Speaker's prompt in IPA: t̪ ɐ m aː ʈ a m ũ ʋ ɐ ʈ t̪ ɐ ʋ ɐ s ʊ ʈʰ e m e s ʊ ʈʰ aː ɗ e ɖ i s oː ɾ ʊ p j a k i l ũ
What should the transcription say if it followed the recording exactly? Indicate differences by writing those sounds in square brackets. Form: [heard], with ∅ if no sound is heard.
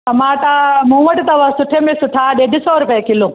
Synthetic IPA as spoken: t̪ ɐ m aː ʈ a m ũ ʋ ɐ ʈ t̪ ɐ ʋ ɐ s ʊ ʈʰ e m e s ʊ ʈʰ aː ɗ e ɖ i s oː ɾ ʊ p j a k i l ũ